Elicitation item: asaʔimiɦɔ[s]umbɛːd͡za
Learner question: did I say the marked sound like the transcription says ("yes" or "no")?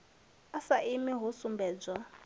yes